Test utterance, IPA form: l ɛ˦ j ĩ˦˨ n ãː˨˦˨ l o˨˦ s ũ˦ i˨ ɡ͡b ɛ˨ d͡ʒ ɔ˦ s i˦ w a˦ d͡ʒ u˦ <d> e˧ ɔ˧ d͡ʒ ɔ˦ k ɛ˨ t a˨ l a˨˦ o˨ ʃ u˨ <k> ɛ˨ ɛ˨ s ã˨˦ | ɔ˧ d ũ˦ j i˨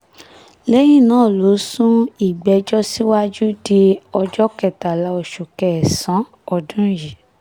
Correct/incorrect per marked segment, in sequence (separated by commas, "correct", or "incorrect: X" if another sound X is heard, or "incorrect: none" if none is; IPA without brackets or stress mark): correct, correct